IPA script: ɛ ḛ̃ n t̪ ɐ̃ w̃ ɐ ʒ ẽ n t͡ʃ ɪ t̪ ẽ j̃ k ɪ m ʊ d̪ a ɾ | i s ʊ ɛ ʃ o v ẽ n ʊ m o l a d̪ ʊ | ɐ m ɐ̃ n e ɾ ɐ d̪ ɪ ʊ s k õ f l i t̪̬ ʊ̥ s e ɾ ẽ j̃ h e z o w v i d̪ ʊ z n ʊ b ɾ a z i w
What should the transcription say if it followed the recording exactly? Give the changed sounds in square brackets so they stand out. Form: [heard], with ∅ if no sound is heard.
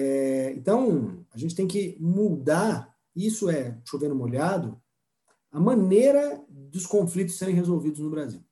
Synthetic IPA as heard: ɛ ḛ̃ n t̪ ɐ̃ w̃ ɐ ʒ ẽ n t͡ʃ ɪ t̪ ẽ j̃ k ɪ m [u] d̪ a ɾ | i s ʊ ɛ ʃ o v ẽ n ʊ m o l a d̪ ʊ | ɐ m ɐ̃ n e ɾ ɐ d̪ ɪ ʊ s k õ f l i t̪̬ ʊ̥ s e ɾ ẽ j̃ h e z o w v i d̪ ʊ z n ʊ b ɾ a z i w